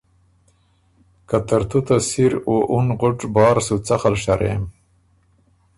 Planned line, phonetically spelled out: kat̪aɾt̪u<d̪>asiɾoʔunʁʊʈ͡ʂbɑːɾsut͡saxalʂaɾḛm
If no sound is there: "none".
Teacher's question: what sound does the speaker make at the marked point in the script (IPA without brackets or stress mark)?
t̪